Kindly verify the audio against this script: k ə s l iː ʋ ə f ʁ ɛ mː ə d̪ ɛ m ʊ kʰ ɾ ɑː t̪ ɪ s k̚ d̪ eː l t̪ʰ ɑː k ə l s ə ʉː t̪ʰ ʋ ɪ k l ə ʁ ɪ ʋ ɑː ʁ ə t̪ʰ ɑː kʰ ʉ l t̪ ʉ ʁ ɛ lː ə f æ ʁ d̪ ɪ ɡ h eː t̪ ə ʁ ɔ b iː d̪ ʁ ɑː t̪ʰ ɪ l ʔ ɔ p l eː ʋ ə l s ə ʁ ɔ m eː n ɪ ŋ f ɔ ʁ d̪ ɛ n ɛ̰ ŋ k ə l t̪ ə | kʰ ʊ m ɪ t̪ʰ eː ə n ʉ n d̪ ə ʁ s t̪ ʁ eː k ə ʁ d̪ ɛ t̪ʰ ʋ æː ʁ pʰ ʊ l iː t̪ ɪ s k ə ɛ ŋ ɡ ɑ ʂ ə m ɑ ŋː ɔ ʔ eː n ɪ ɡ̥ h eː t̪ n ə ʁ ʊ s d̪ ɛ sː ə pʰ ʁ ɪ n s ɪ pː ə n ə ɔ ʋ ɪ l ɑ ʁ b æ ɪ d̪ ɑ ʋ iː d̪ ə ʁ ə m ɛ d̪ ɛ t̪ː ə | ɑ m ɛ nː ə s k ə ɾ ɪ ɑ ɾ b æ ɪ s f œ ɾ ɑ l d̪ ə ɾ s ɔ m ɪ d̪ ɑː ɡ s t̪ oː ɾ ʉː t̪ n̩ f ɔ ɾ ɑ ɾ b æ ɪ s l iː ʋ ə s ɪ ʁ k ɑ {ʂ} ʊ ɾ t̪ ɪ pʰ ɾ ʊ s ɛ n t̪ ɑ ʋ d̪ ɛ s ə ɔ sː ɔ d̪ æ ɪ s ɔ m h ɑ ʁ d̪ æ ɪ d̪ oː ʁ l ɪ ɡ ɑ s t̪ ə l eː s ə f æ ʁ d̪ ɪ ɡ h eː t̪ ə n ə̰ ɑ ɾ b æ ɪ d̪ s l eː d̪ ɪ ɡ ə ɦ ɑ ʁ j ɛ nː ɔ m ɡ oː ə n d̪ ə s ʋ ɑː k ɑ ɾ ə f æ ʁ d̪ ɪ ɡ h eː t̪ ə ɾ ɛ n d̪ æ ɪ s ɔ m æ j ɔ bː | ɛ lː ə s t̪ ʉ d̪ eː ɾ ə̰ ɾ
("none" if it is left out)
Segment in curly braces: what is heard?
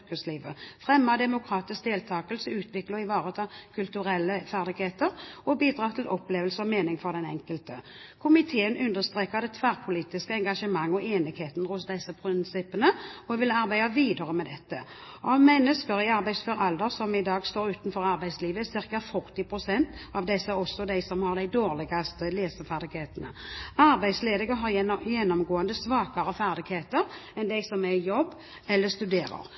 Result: f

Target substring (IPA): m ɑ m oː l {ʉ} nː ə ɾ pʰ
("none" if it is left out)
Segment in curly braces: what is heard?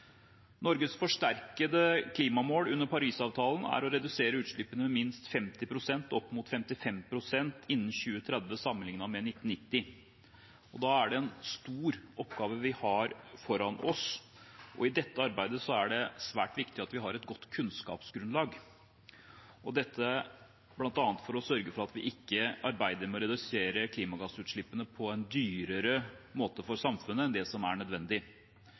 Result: ʉ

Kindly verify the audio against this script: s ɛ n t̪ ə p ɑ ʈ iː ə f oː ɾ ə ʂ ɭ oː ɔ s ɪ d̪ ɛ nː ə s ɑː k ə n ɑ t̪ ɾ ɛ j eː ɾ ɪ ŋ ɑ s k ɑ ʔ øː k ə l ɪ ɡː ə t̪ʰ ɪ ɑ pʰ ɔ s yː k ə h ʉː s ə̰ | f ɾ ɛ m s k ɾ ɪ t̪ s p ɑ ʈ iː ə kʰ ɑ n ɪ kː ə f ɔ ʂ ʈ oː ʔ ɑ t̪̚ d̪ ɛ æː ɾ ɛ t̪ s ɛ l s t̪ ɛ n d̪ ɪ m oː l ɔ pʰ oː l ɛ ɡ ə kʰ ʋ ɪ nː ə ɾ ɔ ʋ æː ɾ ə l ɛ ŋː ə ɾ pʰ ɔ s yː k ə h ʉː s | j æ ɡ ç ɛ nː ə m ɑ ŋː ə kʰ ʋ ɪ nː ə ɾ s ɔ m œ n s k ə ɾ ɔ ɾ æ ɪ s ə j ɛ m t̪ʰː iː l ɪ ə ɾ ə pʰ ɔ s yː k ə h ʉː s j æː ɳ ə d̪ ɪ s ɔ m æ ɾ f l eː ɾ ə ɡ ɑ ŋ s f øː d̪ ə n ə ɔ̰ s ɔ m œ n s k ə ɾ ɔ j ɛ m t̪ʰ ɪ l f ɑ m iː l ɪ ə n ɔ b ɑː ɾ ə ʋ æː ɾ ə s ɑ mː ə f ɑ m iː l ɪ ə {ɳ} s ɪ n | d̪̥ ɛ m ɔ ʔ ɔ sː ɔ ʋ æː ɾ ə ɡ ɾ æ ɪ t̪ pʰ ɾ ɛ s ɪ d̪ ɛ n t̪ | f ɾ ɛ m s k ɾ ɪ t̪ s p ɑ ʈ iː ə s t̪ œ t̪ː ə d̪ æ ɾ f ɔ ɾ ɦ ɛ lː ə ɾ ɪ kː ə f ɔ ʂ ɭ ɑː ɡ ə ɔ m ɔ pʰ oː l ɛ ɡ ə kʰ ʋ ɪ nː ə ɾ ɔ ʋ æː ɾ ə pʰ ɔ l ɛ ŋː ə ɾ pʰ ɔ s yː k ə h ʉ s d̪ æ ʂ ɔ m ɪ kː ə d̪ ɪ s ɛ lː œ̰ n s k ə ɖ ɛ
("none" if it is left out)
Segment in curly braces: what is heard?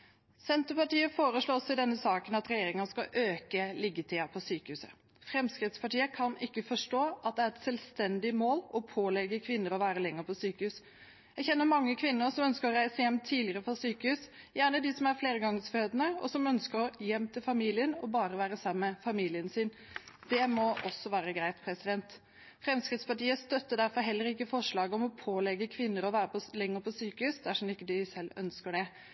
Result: n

